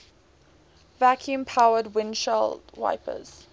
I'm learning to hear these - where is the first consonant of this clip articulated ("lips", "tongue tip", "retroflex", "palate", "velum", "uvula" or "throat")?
lips